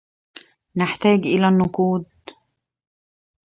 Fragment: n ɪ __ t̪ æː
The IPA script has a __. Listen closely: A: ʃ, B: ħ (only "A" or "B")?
B